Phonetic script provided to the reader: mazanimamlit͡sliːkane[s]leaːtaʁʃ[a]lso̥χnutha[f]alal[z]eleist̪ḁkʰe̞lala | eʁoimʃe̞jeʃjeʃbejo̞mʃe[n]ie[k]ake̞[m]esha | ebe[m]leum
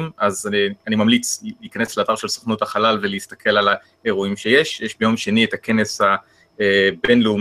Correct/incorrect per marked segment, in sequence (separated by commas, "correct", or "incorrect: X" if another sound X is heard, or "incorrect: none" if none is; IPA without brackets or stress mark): correct, incorrect: e, incorrect: χ, incorrect: v, correct, incorrect: t, incorrect: n, incorrect: n